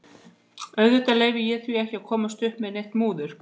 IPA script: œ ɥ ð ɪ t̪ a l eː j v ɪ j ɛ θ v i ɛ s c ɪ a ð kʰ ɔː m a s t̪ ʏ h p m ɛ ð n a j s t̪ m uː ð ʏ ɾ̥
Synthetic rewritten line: œ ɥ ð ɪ t̪ a l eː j v ɪ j ɛ θ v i ɛ h c ɪ a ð kʰ ɔː m a s t̪ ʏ h p m ɛ ð n e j h t̪ m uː ð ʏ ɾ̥